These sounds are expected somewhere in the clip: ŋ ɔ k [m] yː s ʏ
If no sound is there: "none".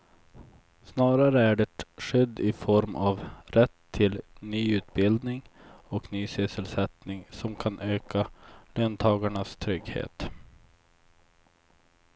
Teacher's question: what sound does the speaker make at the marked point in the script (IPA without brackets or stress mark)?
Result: n